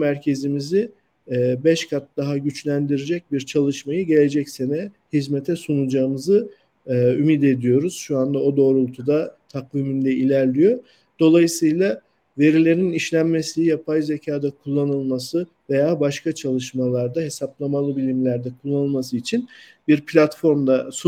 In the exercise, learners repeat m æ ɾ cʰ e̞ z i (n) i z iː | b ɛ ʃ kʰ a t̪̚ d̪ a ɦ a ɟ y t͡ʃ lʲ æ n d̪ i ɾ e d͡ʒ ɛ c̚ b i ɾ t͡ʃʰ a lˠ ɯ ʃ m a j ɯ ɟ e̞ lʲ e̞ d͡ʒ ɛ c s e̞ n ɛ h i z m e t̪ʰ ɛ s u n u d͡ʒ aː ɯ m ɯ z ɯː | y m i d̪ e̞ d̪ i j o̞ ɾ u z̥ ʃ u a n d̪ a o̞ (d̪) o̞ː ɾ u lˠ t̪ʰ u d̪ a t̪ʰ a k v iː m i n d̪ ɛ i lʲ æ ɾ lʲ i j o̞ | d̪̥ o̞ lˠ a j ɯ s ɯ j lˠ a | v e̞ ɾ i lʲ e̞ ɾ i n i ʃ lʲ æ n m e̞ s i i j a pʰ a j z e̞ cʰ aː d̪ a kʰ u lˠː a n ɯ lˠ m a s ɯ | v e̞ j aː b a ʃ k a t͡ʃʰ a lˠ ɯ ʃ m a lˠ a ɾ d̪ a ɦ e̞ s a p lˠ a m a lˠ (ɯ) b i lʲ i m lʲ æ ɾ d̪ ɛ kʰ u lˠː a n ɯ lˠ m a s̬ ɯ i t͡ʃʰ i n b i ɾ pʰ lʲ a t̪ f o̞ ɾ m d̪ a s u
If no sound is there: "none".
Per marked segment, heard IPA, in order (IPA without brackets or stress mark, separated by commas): m, d̪, ɯ